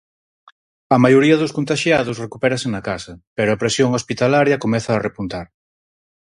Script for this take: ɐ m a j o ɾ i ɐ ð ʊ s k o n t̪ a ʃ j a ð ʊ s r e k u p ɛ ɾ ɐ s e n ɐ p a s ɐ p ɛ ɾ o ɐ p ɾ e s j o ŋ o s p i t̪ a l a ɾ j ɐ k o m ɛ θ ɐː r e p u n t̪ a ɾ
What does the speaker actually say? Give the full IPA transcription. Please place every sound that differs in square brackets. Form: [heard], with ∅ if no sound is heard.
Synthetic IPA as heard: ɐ m a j o ɾ i ɐ ð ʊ s k o n t̪ a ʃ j a ð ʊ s r e k u p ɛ ɾ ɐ s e n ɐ [k] a s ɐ p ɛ ɾ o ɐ p ɾ e s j o ŋ o s p i t̪ a l a ɾ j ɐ k o m ɛ θ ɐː r e p u n t̪ a ɾ